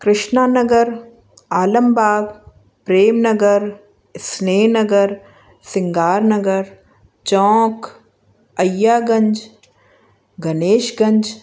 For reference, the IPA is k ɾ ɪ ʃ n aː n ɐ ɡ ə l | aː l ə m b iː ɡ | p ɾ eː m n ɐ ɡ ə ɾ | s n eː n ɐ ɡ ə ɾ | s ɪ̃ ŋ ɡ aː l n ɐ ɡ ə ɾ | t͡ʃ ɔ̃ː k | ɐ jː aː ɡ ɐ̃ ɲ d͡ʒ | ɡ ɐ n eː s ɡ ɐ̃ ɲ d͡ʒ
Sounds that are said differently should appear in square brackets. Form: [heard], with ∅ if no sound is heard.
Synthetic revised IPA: k ɾ ɪ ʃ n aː n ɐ ɡ ə [ɾ] | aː l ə m b [aː] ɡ | p ɾ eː m n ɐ ɡ ə ɾ | s n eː n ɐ ɡ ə ɾ | s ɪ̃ ŋ ɡ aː [ɾ] n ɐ ɡ ə ɾ | t͡ʃ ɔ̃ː k | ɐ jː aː ɡ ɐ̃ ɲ d͡ʒ | ɡ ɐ n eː [ʃ] ɡ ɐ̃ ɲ d͡ʒ